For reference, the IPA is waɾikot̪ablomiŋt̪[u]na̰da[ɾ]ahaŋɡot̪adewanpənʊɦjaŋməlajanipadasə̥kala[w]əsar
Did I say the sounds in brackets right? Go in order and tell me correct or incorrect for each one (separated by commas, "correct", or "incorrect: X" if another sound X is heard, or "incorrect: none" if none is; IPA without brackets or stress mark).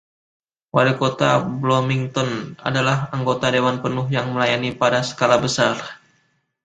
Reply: incorrect: ɔ, incorrect: l, incorrect: b